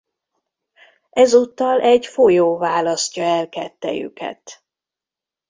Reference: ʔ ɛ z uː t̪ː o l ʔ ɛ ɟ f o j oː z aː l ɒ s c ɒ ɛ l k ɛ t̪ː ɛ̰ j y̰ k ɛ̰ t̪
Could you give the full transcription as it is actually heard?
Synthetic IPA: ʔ ɛ z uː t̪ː ɒ l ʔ ɛ ɟ f o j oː v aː l ɒ s c ɒ ɛ l k ɛ t̪ː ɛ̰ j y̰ k ɛ̰ t̪